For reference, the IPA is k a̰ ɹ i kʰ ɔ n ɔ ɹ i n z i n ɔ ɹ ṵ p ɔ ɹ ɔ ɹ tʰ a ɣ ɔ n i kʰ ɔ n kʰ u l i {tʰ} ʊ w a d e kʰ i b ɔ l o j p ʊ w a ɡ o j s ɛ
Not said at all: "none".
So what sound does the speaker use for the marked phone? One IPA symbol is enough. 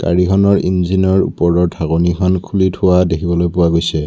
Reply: tʰ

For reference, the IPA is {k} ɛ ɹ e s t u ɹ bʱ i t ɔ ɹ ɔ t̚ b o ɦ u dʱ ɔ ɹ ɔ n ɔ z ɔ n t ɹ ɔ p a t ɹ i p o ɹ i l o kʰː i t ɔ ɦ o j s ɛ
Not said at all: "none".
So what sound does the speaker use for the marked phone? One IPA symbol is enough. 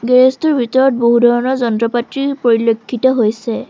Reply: ɡ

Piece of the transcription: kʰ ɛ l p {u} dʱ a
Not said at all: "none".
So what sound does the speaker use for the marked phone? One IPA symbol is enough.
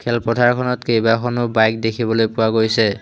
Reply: ɔ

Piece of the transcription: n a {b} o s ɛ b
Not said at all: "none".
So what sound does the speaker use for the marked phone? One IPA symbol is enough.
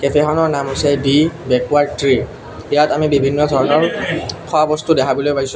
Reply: m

